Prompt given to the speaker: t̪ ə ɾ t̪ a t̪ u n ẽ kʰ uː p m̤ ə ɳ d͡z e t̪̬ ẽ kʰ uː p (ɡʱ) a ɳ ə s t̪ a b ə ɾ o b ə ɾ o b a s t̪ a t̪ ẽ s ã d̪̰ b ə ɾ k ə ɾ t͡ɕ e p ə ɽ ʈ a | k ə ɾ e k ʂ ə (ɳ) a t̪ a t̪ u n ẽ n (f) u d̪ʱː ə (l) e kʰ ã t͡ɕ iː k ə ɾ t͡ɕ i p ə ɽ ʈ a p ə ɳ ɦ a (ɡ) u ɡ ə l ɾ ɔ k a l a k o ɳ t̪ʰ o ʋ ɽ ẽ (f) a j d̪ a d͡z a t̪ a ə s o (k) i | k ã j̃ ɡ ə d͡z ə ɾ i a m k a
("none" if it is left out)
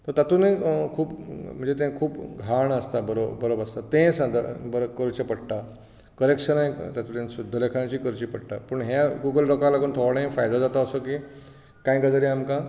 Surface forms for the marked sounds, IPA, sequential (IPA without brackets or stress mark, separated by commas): ɡʱ, n, s, l, ɡ, f, k